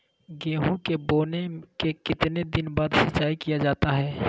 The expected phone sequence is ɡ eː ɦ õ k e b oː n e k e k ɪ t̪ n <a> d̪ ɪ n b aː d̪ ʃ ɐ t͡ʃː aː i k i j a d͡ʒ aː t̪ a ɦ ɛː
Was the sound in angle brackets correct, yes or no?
no